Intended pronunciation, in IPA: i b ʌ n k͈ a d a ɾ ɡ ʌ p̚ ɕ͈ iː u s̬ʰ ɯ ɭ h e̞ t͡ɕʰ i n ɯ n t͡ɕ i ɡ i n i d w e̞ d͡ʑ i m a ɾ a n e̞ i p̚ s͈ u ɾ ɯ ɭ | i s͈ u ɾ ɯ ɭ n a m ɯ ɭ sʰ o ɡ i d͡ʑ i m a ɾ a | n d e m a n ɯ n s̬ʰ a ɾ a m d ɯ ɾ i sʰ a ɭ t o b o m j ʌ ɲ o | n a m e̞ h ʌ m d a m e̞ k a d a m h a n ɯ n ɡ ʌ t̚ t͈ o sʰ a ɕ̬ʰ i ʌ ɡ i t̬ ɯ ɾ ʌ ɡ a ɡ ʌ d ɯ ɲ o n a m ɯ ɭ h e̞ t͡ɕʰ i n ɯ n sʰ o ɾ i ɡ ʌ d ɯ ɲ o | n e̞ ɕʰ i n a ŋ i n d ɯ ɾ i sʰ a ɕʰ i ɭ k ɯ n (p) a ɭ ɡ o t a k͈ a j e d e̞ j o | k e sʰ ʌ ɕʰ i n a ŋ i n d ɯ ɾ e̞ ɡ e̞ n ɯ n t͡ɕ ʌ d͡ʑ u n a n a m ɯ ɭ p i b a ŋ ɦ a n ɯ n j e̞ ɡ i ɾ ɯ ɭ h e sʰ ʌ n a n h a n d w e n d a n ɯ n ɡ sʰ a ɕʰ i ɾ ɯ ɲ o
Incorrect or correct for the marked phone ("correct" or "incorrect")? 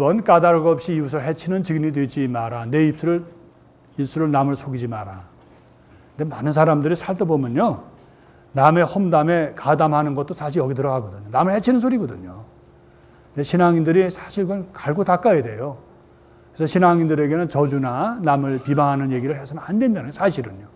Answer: incorrect